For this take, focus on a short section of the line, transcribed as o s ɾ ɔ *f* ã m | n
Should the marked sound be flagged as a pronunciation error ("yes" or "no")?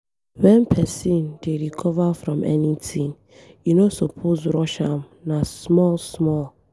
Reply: yes